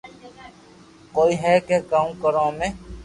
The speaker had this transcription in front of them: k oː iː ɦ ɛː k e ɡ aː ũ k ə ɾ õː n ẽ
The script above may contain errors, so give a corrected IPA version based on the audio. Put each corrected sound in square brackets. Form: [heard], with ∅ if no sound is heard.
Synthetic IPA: k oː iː ɦ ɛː k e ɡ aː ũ k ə ɾ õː [m] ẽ

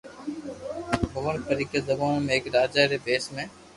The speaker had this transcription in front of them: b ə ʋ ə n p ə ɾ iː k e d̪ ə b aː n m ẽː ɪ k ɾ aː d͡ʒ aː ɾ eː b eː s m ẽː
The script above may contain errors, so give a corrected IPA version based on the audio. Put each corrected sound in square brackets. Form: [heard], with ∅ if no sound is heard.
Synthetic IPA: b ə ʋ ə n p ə ɾ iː k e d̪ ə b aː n m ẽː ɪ k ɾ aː d͡ʒ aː ɾ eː b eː s m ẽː

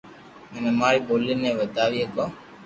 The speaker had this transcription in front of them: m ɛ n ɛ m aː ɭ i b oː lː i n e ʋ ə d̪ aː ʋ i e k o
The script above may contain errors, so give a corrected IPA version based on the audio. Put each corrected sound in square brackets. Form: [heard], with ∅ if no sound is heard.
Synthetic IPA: m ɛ n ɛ m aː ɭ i b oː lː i n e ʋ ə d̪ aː ʋ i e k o

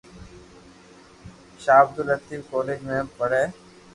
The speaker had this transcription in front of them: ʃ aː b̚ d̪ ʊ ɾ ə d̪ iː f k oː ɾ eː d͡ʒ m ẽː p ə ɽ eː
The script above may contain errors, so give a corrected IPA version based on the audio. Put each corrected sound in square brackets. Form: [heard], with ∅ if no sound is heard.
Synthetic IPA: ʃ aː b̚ d̪ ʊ [l] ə [t̪] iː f k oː [l] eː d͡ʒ m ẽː p ə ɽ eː

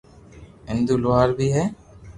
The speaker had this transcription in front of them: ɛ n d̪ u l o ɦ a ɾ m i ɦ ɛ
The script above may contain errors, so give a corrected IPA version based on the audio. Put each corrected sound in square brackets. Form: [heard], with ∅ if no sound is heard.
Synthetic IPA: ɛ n d̪ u l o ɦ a ɾ [b] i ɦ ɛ

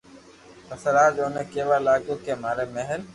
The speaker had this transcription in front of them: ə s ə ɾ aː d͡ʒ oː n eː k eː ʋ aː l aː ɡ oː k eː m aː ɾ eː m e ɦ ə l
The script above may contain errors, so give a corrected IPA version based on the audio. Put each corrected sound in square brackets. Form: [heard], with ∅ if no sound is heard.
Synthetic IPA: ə s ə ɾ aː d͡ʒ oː n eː k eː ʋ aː l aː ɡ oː k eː m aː ɾ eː m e ɦ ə l

